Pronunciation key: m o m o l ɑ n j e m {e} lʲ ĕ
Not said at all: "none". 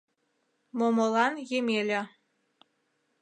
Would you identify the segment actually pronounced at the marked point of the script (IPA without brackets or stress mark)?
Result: e